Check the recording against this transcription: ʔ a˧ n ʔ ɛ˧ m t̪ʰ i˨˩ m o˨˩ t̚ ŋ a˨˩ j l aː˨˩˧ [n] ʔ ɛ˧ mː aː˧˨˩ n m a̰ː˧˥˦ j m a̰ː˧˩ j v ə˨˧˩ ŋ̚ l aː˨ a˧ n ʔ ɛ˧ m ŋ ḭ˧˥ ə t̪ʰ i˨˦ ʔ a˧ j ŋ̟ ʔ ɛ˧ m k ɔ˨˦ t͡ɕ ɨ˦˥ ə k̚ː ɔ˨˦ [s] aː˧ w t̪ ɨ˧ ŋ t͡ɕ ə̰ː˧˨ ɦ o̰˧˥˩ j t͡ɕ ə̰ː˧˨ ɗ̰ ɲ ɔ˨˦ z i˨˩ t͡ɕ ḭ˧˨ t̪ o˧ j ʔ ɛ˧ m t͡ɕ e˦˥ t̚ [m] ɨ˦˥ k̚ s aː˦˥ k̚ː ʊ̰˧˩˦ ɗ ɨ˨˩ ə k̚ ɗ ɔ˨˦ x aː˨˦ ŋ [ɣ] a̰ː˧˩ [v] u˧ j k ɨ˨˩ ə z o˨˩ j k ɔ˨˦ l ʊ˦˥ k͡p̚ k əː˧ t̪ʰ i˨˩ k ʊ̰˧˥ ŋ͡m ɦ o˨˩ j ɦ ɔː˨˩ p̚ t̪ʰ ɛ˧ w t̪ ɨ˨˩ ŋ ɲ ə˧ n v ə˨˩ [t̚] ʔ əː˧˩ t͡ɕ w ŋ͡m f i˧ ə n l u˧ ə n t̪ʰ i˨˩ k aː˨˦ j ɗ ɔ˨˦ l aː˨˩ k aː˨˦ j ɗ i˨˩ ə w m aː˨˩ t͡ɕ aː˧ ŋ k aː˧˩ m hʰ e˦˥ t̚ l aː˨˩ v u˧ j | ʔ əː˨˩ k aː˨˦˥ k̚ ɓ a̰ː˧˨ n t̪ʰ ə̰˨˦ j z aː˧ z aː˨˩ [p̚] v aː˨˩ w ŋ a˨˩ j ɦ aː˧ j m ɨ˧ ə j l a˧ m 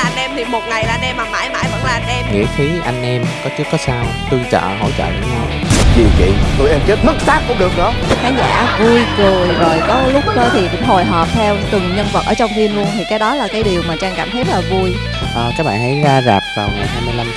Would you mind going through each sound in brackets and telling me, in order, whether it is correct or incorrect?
correct, correct, correct, incorrect: z, correct, correct, correct

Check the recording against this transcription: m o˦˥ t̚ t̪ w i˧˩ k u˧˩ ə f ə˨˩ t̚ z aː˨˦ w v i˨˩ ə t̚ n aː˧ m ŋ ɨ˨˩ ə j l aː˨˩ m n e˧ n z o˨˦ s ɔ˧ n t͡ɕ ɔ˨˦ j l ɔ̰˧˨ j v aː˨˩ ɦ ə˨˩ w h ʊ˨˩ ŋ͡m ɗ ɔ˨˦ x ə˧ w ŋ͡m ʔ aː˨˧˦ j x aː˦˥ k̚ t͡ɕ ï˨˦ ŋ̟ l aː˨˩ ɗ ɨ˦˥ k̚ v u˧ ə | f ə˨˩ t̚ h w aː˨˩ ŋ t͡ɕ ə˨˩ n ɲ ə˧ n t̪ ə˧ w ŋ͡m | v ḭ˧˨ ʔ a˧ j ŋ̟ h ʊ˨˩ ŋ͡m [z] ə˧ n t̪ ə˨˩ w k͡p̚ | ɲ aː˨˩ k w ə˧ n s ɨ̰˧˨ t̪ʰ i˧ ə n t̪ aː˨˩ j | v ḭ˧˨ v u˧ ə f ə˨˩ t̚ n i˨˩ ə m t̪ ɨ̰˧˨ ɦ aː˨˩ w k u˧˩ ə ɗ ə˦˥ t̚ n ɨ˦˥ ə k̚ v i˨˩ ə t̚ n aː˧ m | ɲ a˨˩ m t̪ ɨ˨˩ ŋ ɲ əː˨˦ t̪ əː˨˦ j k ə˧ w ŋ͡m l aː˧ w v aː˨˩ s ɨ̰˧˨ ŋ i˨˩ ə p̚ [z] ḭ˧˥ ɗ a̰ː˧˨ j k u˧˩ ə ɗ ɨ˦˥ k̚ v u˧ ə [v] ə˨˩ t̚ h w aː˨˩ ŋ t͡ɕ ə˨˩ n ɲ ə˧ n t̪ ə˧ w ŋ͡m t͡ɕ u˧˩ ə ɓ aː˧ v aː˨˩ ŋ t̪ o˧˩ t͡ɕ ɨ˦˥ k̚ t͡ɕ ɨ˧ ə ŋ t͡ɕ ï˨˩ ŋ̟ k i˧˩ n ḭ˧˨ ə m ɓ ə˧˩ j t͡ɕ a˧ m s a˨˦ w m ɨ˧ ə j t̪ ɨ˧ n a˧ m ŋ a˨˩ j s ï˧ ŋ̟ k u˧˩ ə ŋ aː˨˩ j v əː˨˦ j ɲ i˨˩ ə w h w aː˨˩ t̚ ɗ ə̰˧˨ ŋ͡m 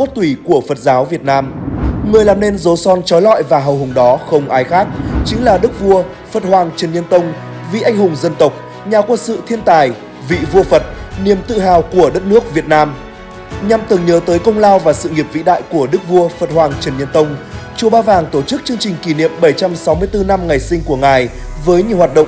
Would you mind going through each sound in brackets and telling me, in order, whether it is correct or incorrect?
correct, incorrect: v, incorrect: f

